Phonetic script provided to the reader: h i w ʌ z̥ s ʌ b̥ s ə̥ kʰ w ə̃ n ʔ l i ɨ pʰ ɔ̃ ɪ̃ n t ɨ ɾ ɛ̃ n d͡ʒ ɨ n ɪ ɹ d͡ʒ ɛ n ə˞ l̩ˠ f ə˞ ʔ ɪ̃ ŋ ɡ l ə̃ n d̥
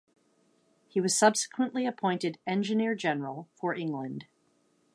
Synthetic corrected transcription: h i w ʌ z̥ s ʌ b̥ s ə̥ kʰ w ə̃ n ʔ l i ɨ pʰ ɔ̃ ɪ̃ n t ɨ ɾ ɛ̃ n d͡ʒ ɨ n ɪ ɹ d͡ʒ ɛ n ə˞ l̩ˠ f ə˞ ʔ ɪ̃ ŋ ɡ l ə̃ n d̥